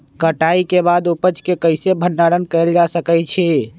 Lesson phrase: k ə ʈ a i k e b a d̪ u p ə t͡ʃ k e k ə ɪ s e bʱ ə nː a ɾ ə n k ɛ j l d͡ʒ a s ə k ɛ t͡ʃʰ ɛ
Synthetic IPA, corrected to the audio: k ə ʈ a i k e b a d̪ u p ə t͡ʃ k e k ə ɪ s e bʱ ə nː a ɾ ə n k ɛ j l d͡ʒ a s ə k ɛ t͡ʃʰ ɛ

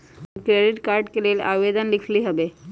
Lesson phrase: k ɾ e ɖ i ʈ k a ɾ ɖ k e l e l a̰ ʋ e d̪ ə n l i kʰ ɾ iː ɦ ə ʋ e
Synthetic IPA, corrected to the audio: k ɾ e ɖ i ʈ k a ɾ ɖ k e l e l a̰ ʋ e d̪ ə n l i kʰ l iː ɦ ə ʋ e

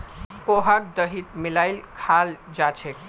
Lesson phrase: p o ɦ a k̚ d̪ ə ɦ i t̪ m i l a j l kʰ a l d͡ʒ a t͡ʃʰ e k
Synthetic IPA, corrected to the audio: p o ɦ a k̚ d̪ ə ɦ i t̪ m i l a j l kʰ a l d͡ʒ a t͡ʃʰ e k

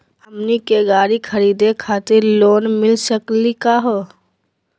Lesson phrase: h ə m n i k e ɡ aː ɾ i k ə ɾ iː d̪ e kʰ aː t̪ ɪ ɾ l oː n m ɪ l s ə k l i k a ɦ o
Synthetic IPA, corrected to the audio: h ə m n i k e ɡ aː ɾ i kʰ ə ɾ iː d̪ e kʰ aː t̪ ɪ ɾ l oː n m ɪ l s ə k l i k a ɦ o

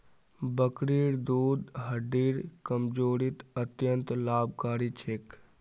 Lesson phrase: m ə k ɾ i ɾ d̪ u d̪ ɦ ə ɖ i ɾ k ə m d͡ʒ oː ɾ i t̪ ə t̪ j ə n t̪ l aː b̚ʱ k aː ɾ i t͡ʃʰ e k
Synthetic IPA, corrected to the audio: b ə k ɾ i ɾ d̪ u d̪ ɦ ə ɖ i ɾ k ə m d͡ʒ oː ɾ i t̪ ə t̪ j ə n t̪ l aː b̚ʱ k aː ɾ i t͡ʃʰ e k

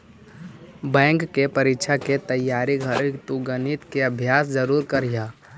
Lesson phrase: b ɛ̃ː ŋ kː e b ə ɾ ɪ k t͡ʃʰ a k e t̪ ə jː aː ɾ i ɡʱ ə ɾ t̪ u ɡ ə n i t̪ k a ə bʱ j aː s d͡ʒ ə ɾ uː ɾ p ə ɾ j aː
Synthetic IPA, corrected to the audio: b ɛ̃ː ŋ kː e p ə ɾ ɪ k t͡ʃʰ a k e t̪ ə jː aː ɾ i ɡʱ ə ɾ t̪ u ɡ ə n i t̪ k e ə bʱ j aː s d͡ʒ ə ɾ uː ɾ k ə ɾ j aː

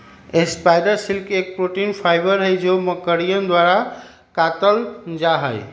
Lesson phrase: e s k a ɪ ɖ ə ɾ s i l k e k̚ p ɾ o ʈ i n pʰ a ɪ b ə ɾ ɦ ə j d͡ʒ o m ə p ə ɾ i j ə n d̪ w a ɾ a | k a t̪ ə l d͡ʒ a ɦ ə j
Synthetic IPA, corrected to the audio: e s p a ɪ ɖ ə ɾ s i l k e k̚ p ɾ o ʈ i n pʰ a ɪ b ə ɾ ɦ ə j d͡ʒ o m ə k ə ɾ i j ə n d̪ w a ɾ a | k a t̪ ə l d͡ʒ a ɦ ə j

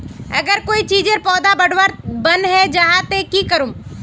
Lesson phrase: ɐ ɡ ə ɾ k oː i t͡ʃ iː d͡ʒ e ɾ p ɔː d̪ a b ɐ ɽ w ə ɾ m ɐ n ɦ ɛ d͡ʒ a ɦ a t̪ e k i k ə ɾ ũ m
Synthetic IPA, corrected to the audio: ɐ ɡ ə ɾ k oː i t͡ʃ iː d͡ʒ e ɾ p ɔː d̪ a b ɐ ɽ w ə ɾ b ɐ n ɦ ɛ d͡ʒ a ɦ a t̪ e k i k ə ɾ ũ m

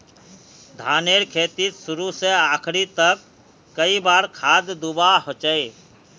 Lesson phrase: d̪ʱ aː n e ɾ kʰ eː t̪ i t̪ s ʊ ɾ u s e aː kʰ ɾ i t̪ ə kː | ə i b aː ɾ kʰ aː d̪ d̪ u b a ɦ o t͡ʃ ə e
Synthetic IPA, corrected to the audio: d̪ʱ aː n e ɾ kʰ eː t̪ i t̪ s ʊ ɾ u s e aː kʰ ɾ i t̪ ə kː | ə i b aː ɾ kʰ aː d̪ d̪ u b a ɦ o t͡ʃ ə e

